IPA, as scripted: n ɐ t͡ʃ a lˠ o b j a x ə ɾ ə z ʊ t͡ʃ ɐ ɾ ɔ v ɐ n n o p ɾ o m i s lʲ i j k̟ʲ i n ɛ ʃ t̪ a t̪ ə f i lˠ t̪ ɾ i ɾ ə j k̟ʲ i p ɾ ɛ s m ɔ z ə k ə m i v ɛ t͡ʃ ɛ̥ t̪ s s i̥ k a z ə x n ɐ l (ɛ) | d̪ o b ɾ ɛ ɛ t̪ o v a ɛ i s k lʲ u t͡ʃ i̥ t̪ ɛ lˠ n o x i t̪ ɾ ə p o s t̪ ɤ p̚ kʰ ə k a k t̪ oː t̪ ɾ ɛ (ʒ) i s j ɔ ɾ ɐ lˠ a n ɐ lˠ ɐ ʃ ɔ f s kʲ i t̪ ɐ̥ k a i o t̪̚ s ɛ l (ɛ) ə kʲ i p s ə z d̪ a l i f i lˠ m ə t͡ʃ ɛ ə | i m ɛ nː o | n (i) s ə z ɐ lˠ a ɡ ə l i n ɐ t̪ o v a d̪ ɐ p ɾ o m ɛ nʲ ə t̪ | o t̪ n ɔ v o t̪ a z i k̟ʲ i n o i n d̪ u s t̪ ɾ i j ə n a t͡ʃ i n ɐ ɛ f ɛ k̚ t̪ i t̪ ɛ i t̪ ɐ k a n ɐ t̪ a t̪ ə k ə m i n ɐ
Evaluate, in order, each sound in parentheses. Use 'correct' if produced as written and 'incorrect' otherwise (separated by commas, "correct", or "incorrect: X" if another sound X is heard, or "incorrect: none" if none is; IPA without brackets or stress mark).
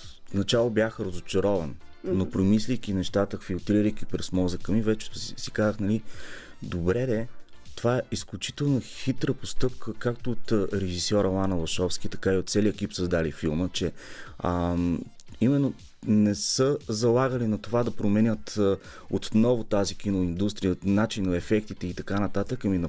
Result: incorrect: i, correct, incorrect: i, incorrect: ɛ